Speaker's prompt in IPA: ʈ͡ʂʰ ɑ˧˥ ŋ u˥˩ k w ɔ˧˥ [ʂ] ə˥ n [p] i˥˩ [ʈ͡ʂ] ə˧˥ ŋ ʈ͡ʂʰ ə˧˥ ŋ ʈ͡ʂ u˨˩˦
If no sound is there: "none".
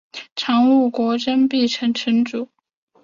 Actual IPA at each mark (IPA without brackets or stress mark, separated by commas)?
ʈ͡ʂ, p, ʈ͡ʂʰ